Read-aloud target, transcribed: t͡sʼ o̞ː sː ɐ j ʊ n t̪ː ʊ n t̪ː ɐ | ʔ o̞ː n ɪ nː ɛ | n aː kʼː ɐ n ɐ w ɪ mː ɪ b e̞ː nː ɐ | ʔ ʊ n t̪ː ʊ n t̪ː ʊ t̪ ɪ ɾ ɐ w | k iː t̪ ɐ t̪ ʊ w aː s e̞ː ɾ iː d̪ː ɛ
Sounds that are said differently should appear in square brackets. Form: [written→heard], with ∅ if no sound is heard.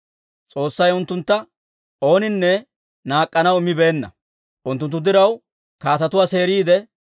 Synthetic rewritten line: t͡sʼ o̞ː sː ɐ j ʊ n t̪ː ʊ n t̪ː ɐ | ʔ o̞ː n ɪ nː ɛ | n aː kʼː ɐ n ɐ w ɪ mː ɪ b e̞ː nː ɐ | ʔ ʊ n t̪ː ʊ n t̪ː ʊ [t̪→d̪] ɪ ɾ ɐ w | k [iː→aː] t̪ ɐ t̪ ʊ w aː s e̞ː ɾ iː [d̪ː→d̪] ɛ

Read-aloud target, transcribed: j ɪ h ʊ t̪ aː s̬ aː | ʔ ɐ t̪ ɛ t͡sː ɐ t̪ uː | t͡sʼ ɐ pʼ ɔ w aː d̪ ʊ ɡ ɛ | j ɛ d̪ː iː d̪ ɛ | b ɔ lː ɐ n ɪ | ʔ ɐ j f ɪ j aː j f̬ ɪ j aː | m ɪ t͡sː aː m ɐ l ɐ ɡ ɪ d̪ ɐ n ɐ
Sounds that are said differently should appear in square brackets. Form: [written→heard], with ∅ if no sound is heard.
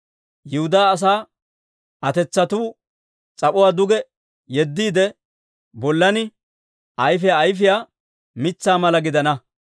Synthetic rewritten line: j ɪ h ʊ [t̪→d̪] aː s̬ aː | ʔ ɐ t̪ ɛ t͡sː ɐ t̪ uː | t͡sʼ ɐ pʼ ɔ w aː d̪ ʊ ɡ ɛ | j ɛ d̪ː iː d̪ ɛ | b ɔ lː ɐ n ɪ | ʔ ɐ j f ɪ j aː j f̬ ɪ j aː | m ɪ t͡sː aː m ɐ l ɐ ɡ ɪ d̪ ɐ n ɐ

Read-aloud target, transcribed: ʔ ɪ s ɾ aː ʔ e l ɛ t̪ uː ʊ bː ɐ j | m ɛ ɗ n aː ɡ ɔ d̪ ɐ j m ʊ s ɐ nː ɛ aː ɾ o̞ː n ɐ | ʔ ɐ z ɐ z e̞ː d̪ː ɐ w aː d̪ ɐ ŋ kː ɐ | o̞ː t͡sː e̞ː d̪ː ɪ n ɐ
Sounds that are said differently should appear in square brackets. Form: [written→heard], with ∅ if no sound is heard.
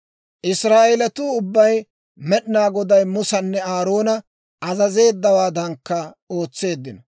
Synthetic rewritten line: ʔ ɪ s ɾ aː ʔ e l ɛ t̪ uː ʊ bː ɐ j | m ɛ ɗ n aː ɡ ɔ d̪ ɐ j m ʊ s ɐ nː ɛ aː ɾ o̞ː n ɐ | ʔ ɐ z ɐ z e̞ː d̪ː ɐ w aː d̪ ɐ ŋ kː ɐ | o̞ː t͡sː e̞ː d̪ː ɪ n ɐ

